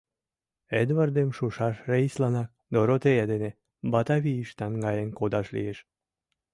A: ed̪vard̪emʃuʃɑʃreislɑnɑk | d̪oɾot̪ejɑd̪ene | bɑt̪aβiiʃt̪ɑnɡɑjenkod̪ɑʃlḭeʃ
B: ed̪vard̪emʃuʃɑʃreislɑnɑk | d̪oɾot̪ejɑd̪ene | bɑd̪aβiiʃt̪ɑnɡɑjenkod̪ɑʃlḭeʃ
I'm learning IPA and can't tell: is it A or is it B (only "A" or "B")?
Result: A